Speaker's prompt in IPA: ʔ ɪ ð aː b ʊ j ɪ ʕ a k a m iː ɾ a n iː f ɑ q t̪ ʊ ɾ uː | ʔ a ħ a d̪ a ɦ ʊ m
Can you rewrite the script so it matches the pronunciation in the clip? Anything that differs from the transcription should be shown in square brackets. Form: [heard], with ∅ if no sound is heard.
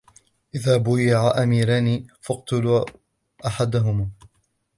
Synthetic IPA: ʔ ɪ ð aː b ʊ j ɪ ʕ a [ʔ] a m iː ɾ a n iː f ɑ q t̪ ʊ [l] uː | ʔ a ħ a d̪ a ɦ ʊ m